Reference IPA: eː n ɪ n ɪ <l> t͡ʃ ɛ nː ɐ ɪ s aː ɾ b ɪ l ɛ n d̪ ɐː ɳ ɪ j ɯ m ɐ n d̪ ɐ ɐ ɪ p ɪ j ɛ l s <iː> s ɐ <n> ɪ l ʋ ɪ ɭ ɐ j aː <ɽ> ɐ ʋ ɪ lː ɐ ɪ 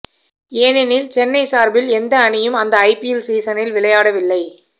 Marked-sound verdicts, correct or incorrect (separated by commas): correct, correct, correct, correct